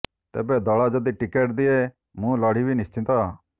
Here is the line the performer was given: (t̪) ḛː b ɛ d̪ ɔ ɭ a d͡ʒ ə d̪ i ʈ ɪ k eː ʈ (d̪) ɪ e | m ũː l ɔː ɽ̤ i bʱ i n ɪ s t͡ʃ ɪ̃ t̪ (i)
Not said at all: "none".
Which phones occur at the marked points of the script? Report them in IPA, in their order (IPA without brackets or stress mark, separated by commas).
t̪, d̪, a